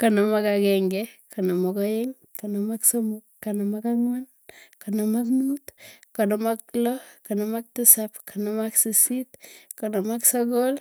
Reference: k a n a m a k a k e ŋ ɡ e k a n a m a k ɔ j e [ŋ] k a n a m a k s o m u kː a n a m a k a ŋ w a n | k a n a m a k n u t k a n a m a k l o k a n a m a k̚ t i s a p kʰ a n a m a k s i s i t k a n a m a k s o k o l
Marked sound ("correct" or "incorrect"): correct